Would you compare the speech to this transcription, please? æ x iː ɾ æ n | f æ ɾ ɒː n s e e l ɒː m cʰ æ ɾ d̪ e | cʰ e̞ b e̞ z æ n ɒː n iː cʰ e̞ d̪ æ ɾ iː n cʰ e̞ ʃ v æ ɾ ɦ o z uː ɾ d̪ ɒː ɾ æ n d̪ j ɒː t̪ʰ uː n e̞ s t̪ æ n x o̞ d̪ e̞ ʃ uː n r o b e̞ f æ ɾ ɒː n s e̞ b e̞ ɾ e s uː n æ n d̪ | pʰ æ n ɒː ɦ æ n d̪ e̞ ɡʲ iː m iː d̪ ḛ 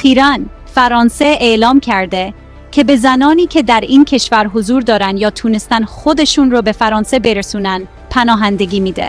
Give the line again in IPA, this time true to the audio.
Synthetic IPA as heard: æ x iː ɾ æ n | f æ ɾ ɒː n s e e l ɒː m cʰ æ ɾ d̪ e | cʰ e̞ b e̞ z æ n ɒː n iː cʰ e̞ d̪ æ ɾ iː n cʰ e̞ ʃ v æ ɾ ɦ o z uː ɾ d̪ ɒː ɾ æ n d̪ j ɒː t̪ʰ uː n e̞ s t̪ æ n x o̞ d̪ e̞ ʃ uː n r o b e̞ f æ ɾ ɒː n s e̞ b e̞ ɾ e s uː n æ n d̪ | pʰ æ n ɒː ɦ æ n d̪ e̞ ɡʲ iː m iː d̪ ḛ